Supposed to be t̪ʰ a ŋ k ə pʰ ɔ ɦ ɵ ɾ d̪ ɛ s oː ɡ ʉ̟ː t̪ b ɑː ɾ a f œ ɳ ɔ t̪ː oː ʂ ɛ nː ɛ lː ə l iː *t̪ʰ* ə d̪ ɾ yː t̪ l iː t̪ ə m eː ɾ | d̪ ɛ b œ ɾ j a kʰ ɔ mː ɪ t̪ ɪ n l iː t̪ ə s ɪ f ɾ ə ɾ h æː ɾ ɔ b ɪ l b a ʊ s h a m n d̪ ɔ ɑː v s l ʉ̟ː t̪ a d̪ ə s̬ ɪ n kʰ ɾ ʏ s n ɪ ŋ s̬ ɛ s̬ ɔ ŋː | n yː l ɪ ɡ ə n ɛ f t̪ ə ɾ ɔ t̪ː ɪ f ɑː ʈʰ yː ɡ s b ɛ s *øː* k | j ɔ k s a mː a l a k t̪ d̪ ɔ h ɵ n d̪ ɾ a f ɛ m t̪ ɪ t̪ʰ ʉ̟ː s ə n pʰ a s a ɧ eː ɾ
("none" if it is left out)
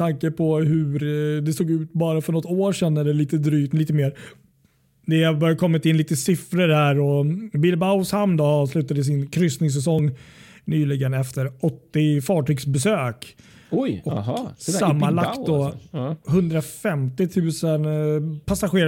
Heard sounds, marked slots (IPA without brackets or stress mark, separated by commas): t̪, øː